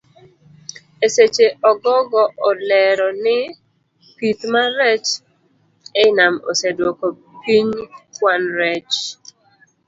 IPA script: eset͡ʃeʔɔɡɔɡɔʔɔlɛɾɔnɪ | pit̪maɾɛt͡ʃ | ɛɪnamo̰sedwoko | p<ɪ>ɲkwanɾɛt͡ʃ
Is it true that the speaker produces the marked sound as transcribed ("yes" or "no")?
no